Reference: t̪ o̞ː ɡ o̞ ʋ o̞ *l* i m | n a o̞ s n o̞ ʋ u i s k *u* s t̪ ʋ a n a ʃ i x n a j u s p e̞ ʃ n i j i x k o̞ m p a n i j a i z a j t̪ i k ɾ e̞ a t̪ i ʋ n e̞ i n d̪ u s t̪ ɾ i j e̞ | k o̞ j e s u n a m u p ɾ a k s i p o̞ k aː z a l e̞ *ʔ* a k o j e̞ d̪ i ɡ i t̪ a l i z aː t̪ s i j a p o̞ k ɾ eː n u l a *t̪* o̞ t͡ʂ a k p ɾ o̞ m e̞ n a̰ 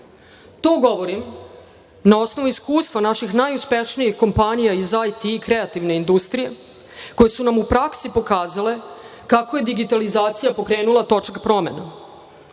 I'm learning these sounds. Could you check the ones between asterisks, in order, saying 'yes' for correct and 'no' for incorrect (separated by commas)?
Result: no, no, no, yes